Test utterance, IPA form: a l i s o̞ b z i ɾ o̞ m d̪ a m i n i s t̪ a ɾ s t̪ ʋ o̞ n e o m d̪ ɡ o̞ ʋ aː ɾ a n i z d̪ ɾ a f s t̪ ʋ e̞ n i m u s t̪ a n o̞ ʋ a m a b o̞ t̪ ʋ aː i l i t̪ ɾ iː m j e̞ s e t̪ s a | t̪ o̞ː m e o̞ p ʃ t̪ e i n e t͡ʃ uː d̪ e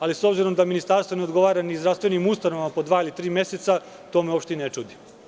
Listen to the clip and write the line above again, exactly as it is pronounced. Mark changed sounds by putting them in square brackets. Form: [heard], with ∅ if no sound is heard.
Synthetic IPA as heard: a l i s o̞ b z i ɾ o̞ m d̪ a m i n i s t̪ a ɾ s t̪ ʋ o̞ n e o [∅] d̪ ɡ o̞ ʋ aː ɾ a n i z d̪ ɾ a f s t̪ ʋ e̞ n i m u s t̪ a n o̞ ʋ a m a [p] o̞ [d̪] ʋ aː i l i t̪ ɾ iː m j e̞ s e t̪ s a | t̪ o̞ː m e o̞ p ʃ t̪ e i n e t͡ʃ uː d̪ [i]

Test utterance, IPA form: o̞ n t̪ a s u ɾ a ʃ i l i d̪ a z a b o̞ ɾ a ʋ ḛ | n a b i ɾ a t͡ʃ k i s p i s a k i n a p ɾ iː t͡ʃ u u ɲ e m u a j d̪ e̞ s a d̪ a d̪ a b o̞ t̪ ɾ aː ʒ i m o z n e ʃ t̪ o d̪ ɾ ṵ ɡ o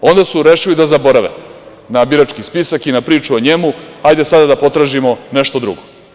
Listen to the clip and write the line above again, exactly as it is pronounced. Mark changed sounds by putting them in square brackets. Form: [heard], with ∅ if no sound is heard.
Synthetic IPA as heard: o̞ n [d̪] a s u ɾ [e] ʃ i l i d̪ a z a b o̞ ɾ a ʋ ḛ | n a b i ɾ a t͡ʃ k i s p i s a k i n a p ɾ iː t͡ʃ u [o] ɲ e m u a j d̪ e̞ s a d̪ a d̪ a [p] o̞ t̪ ɾ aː ʒ i m o [∅] n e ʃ t̪ o d̪ ɾ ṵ ɡ o

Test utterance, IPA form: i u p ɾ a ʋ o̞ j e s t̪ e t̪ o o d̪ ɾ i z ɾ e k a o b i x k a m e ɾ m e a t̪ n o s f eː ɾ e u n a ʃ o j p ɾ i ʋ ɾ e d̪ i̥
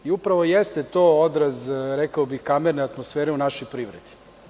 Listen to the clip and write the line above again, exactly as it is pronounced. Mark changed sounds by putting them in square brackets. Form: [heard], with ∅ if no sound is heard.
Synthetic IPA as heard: i u p ɾ a ʋ o̞ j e s t̪ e t̪ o o d̪ ɾ [a] z ɾ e k a o b i x k a m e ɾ [n] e a t̪ [m] o s f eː ɾ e u n a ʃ o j p ɾ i ʋ ɾ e d̪ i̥

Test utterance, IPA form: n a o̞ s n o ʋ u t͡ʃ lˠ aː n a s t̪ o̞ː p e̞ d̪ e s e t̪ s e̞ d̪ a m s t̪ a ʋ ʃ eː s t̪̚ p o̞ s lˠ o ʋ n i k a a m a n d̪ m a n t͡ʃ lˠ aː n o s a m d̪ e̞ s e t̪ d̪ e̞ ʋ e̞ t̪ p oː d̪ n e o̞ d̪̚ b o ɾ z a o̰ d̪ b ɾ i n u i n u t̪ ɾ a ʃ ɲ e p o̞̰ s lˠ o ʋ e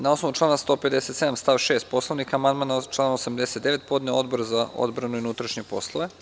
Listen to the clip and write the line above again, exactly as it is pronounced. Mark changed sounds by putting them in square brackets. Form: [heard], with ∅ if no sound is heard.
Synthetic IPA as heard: n a o̞ s n o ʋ u t͡ʃ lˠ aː n a s t̪ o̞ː p e̞ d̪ e s e t̪ s e̞ d̪ a m s t̪ a ʋ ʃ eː s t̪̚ p o̞ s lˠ o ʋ n i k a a m a n d̪ m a n t͡ʃ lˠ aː n o s a m d̪ e̞ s e t̪ d̪ e̞ ʋ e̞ t̪ p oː d̪ n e o̞ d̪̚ b o ɾ z a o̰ d̪ b ɾ [a] n u i n u t̪ ɾ a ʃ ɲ e p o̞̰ s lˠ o ʋ e

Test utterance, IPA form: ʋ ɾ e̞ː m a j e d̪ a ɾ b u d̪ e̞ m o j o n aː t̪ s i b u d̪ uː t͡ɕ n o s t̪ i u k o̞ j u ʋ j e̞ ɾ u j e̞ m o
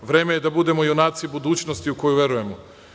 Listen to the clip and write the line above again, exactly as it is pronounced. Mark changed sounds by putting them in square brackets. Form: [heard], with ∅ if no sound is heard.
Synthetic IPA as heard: ʋ ɾ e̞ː m [e] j e d̪ a [∅] b u d̪ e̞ m o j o n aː t̪ s i b u d̪ uː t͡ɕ n o s t̪ i u k o̞ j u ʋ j e̞ ɾ u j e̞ m o

